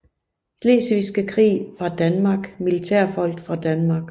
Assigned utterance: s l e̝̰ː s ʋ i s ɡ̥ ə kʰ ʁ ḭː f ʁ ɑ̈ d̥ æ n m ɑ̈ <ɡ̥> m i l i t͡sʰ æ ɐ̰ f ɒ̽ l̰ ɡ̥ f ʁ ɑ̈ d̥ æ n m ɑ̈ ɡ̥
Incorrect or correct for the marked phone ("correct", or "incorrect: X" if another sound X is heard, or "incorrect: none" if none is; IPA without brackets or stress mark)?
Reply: correct